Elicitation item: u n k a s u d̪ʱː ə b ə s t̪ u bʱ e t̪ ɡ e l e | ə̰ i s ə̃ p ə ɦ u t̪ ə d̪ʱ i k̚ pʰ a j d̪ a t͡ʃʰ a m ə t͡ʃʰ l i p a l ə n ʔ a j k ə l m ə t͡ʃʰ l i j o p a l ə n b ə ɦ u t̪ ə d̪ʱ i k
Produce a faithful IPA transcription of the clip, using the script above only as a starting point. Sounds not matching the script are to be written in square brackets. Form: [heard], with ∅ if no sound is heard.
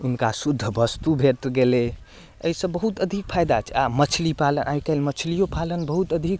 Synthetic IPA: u n k a s u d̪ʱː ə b ə s t̪ u bʱ e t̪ ɡ e l e | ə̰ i s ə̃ [b] ə ɦ u t̪ ə d̪ʱ i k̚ pʰ a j d̪ a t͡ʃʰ a m ə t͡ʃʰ l i p a l ə n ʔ a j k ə l m ə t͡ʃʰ l i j o p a l ə n b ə ɦ u t̪ ə d̪ʱ i k